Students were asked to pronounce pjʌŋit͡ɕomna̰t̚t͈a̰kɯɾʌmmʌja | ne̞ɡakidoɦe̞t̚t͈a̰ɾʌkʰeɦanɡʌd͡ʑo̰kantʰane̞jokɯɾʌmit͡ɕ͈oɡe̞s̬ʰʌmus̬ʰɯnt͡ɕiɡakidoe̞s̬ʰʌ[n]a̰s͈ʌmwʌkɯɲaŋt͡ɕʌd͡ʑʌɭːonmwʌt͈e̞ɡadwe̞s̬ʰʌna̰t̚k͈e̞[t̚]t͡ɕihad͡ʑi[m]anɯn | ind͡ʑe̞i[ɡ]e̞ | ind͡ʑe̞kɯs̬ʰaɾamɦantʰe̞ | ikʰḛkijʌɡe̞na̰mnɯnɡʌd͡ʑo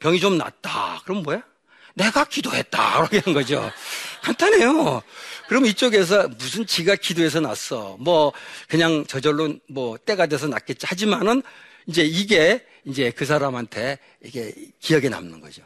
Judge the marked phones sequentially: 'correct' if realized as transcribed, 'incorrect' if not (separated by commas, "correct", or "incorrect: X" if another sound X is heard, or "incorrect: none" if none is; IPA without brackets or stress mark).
correct, correct, correct, correct